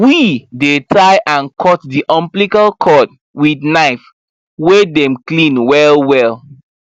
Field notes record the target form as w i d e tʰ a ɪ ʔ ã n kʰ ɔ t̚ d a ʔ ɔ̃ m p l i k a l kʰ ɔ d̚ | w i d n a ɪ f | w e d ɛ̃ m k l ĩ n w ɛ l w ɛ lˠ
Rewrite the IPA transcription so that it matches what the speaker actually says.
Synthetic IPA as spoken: w i d e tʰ a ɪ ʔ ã n kʰ ɔ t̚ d i ʔ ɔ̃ m p l i k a l kʰ ɔ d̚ | w i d n a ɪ f | w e d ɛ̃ m k l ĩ n w ɛ l w ɛ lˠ